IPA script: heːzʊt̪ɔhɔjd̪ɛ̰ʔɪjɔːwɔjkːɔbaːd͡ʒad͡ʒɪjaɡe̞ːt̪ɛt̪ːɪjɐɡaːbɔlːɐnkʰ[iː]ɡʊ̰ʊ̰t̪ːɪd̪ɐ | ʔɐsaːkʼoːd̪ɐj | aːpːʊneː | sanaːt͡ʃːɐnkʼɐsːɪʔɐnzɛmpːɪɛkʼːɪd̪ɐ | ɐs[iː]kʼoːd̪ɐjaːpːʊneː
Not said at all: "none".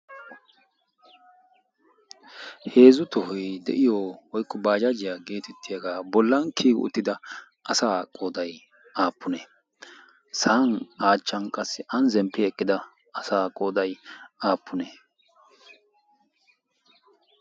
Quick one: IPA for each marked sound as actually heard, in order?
iː, aː

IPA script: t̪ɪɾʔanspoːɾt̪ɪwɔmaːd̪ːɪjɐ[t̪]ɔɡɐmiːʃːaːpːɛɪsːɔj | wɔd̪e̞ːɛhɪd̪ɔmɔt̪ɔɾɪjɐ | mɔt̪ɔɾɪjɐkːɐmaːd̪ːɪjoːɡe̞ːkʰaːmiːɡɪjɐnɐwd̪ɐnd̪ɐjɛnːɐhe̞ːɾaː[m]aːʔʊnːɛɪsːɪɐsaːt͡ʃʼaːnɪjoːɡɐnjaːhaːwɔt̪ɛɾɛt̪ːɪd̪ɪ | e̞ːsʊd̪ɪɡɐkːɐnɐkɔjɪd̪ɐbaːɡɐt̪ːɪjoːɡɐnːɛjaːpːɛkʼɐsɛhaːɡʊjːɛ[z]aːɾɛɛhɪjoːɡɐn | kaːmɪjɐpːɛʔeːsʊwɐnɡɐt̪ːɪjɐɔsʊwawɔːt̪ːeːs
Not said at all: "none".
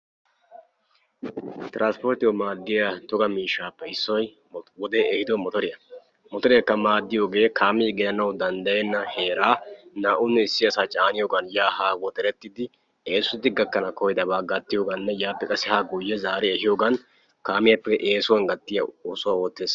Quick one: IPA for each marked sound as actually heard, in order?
t̪, n, z

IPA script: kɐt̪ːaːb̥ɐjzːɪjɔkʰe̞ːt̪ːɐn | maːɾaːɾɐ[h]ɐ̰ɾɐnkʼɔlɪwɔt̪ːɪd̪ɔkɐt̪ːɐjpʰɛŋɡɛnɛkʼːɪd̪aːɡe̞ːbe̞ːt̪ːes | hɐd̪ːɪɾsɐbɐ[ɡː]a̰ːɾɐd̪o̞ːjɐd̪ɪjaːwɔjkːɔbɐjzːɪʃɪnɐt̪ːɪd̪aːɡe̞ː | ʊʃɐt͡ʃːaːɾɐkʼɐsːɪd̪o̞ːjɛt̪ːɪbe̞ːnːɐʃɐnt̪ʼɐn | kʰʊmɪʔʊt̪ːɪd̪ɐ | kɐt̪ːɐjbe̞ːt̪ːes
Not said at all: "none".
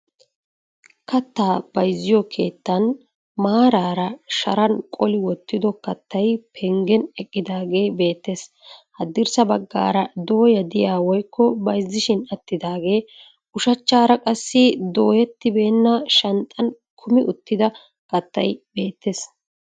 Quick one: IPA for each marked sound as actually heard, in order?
ʃ, ɡː

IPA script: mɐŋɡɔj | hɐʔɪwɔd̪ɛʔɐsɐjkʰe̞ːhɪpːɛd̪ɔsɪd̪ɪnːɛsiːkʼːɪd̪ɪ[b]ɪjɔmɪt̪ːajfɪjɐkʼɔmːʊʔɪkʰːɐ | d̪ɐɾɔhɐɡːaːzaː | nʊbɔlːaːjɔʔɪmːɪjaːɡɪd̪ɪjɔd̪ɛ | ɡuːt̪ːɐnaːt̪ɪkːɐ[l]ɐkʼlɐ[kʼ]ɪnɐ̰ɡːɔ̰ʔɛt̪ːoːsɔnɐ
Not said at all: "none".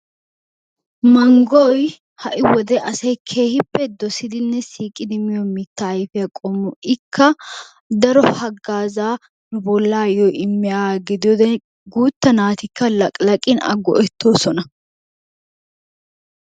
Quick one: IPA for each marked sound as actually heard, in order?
m, l, kʼ

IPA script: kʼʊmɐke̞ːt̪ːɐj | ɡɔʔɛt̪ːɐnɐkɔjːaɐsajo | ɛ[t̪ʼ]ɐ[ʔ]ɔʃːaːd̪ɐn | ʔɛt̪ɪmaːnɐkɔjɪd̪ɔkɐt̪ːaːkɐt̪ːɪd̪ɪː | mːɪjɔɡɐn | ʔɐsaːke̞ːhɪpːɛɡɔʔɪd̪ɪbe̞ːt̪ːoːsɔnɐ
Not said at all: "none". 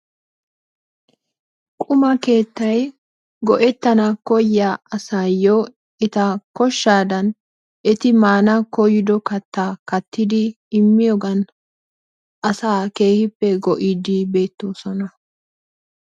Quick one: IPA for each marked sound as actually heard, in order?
t̪, k

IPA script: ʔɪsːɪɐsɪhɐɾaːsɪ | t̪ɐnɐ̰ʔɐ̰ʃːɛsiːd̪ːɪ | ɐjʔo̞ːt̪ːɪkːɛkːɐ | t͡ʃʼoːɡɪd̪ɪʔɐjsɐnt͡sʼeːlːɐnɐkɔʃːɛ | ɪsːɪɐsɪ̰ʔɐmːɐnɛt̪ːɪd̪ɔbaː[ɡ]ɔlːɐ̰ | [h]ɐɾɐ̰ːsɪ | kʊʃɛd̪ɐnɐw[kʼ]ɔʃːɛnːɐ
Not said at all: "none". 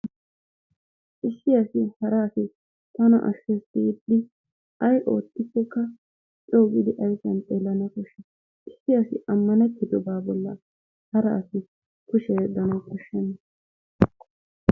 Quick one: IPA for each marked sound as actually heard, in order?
b, h, k

